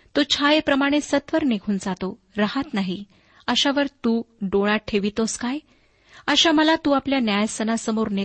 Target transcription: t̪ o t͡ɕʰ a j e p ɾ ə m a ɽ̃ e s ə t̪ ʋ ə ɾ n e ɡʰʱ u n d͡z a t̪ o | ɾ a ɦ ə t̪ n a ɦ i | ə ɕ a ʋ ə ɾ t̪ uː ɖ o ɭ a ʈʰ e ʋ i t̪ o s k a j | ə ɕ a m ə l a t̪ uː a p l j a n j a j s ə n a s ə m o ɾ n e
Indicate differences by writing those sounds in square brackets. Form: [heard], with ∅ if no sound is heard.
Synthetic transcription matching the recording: t̪ o t͡ɕʰ a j e p ɾ ə m a ɽ̃ e s ə t̪ ʋ ə ɾ n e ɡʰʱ [uː] n d͡z a t̪ o | ɾ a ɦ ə t̪ n a ɦ i | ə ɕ a ʋ ə ɾ t̪ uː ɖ o ɭ a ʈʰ e ʋ i t̪ o s k a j | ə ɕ a m ə l a t̪ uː a p l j a n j a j s ə n a s ə m o ɾ n e